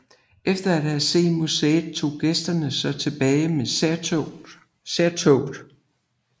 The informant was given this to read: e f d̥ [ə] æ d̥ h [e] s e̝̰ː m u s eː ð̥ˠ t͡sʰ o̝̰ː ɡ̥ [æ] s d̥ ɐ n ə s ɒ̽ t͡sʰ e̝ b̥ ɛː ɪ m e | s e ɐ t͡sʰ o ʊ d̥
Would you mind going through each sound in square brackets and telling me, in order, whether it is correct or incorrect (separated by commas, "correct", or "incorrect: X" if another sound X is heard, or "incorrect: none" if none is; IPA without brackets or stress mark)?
incorrect: ɐ, incorrect: æ, incorrect: e